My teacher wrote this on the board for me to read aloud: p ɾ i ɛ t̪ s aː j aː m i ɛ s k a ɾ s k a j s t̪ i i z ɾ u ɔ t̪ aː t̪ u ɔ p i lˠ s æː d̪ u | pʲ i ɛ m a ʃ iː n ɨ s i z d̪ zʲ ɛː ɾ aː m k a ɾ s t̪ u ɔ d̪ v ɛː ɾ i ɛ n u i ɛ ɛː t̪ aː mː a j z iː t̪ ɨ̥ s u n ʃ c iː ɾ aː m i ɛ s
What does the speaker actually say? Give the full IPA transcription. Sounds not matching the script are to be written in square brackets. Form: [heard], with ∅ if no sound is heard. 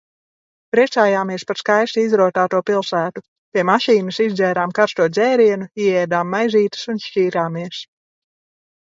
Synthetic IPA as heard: p ɾ i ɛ t̪ s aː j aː m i ɛ s [p] a ɾ s k a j s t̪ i i z ɾ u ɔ t̪ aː t̪ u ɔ p i lˠ s æː [t̪] u | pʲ i ɛ m a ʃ iː n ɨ s i z d̪ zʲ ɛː ɾ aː m k a ɾ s t̪ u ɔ d̪ [z] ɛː ɾ i ɛ n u i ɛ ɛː [d̪] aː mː a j z iː t̪ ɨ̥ s u n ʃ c iː ɾ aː m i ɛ s

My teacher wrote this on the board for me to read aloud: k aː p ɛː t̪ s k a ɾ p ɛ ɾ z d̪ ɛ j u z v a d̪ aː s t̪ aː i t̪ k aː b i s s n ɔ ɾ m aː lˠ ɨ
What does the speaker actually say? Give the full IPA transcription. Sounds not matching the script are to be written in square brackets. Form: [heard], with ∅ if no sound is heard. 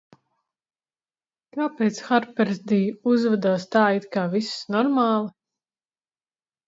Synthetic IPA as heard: k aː p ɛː t̪ s [x] a ɾ p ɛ ɾ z d̪ [i] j u z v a d̪ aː s t̪ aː i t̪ k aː [v] i s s n ɔ ɾ m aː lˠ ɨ

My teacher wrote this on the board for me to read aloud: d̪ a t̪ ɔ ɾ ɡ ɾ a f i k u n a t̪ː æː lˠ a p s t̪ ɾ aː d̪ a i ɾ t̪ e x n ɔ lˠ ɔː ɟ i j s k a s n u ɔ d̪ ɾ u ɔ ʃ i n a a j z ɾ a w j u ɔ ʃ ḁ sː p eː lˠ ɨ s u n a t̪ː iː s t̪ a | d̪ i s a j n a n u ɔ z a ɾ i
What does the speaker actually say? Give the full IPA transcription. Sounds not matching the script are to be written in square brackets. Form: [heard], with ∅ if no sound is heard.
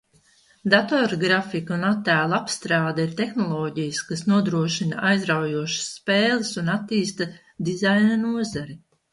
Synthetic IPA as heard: d̪ a t̪ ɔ ɾ ɡ ɾ a f i k u n a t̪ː æː lˠ a p s t̪ ɾ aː d̪ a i ɾ t̪ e x n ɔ lˠ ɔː ɟ i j s k a s n u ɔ d̪ ɾ u ɔ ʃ i n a a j z ɾ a w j u ɔ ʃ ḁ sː p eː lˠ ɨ s u n a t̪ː iː s t̪ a | d̪ i [z] a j n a n u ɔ z a ɾ i

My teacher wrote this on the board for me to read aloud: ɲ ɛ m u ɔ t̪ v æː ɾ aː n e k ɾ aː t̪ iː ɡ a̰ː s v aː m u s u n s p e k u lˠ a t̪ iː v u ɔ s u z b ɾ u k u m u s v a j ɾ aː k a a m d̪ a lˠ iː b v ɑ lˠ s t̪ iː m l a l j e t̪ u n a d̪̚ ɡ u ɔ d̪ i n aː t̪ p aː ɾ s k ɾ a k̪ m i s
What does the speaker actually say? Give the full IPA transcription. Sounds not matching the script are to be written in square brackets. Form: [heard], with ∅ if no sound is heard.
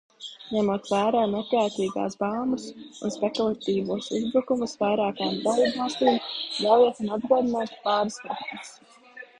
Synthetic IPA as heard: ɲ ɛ m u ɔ t̪ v æː ɾ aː n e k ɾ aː t̪ iː ɡ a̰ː s [b] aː m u s u n s p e k u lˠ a t̪ iː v u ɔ s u z b ɾ u k u m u s v a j ɾ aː k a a m d̪ a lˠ iː b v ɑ lˠ s t̪ iː m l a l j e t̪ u n a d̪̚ ɡ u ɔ d̪ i n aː t̪ p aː ɾ s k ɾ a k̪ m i s

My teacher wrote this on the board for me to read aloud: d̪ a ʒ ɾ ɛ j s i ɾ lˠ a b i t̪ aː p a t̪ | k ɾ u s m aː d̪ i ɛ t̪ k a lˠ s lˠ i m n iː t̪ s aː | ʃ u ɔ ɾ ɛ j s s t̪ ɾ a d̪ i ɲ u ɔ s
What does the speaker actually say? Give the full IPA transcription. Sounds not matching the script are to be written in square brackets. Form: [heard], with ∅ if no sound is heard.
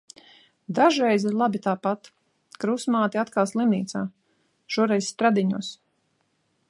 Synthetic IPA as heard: d̪ a ʒ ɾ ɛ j [z] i ɾ lˠ a b i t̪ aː p a t̪ | k ɾ u s m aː [t̪] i [a] t̪ k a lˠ s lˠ i m n iː t̪ s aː | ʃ u ɔ ɾ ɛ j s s t̪ ɾ a d̪ i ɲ u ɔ s

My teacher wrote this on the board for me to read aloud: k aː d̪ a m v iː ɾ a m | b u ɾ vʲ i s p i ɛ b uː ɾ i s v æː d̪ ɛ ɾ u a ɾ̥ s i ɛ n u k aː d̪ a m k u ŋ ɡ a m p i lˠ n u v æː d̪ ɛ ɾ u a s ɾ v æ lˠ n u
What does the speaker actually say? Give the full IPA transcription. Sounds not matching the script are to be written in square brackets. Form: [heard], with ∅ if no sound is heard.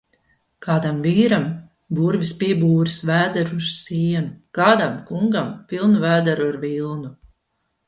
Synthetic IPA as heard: k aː d̪ a m v iː ɾ a m | b u ɾ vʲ i s p i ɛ b uː ɾ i s v æː d̪ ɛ ɾ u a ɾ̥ s i ɛ n u k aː d̪ a m k u ŋ ɡ a m p i lˠ n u v æː d̪ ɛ ɾ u a [∅] ɾ v [i] lˠ n u

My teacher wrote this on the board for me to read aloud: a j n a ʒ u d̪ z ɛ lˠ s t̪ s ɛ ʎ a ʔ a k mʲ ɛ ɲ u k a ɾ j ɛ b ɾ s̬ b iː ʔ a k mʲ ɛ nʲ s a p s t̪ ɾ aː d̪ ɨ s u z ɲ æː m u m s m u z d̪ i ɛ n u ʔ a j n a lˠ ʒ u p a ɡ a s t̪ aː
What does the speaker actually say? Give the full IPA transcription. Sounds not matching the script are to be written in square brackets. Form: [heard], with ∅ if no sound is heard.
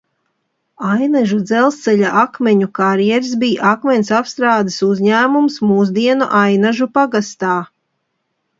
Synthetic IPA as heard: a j n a ʒ u d̪ z ɛ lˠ s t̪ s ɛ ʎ a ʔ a k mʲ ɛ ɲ u k a ɾ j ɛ [∅] ɾ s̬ b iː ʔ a k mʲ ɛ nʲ s a p s t̪ ɾ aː d̪ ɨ s u z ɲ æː m u m s m [uː] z d̪ i ɛ n u ʔ a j n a [∅] ʒ u p a ɡ a s t̪ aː

